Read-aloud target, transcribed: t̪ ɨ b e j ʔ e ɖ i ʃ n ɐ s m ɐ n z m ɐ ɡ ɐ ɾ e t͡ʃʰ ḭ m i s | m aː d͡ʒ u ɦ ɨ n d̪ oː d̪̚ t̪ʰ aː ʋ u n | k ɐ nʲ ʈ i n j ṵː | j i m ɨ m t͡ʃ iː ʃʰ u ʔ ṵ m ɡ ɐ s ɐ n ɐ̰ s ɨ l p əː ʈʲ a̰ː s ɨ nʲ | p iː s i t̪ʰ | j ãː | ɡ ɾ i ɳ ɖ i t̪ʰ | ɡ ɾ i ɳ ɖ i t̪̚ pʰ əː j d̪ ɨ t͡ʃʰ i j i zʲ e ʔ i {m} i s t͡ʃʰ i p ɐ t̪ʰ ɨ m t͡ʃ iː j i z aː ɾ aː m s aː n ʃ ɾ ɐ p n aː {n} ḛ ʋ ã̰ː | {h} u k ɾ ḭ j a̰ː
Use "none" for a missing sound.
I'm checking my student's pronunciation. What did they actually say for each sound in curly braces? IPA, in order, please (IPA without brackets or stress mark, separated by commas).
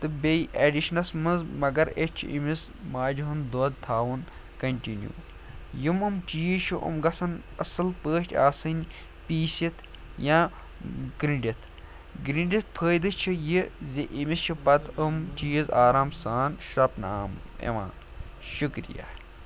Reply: m, m, ʃ